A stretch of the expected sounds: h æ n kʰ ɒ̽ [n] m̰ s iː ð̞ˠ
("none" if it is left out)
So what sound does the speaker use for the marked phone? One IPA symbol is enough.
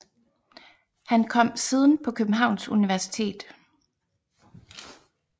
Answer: none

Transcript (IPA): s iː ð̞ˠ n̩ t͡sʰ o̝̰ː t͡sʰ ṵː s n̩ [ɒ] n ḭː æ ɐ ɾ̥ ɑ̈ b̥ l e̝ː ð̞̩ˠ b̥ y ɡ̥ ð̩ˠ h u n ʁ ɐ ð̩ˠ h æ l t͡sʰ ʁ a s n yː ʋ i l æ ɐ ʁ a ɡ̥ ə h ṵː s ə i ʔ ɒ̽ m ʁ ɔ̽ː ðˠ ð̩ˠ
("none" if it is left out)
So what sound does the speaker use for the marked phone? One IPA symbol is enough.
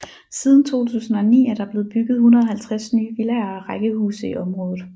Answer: ɒ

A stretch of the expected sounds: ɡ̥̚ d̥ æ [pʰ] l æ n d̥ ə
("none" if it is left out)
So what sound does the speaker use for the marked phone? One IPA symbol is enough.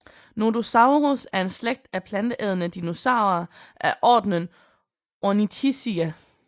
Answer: pʰ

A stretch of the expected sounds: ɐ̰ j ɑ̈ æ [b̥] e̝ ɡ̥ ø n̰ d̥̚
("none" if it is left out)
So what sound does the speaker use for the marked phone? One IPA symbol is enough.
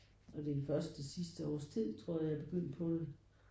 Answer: b̥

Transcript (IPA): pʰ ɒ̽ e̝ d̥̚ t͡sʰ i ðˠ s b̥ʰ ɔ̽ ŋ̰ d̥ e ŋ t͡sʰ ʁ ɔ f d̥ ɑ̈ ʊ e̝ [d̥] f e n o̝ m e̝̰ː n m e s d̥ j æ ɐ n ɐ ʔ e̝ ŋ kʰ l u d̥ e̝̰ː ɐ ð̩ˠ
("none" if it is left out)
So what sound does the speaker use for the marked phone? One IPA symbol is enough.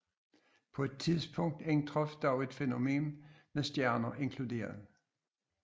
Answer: d̥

